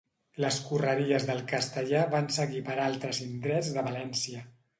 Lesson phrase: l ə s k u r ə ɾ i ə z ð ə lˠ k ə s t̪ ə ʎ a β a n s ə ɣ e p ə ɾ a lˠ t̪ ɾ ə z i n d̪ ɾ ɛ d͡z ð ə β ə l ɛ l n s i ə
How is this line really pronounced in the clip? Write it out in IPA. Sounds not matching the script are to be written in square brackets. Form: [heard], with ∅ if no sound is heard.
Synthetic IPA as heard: l ə s k u r ə ɾ i ə z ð ə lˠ k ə s t̪ ə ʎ a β a n s ə ɣ [i] p ə ɾ a lˠ t̪ ɾ ə z i n d̪ ɾ ɛ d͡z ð ə β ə l ɛ [∅] n s i ə